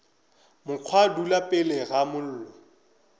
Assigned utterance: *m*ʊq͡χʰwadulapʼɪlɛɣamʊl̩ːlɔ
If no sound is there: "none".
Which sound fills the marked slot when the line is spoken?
m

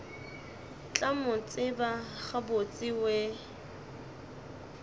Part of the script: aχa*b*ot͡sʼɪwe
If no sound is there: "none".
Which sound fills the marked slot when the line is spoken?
b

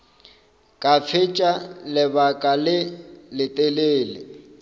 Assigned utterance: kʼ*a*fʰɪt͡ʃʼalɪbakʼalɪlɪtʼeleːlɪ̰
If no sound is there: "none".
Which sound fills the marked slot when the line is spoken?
a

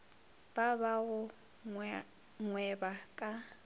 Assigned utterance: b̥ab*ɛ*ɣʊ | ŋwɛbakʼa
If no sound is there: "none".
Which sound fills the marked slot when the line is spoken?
a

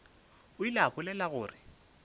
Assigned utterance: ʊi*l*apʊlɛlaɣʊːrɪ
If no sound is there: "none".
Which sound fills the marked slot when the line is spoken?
l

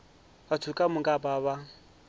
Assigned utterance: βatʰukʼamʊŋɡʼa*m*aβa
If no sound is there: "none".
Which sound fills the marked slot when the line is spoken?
b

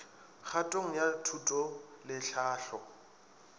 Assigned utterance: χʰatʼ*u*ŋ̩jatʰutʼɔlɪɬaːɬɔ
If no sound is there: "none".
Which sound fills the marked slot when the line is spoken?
o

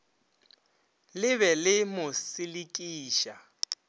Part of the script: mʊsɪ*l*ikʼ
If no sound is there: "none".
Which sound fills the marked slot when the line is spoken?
l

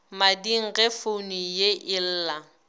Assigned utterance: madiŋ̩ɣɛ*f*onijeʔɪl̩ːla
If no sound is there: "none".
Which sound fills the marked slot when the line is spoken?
f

